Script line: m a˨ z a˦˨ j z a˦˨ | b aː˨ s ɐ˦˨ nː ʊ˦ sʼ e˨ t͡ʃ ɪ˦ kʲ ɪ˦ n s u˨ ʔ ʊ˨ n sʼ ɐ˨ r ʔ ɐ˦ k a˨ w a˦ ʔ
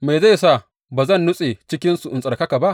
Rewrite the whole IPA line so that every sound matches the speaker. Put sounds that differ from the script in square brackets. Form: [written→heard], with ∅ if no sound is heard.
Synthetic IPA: m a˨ z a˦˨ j [z→s] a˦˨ | b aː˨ [s→z] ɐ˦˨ nː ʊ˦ sʼ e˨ t͡ʃ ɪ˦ kʲ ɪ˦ n s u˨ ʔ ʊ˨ n sʼ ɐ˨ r [ʔ→k] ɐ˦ k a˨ [w→b] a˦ ʔ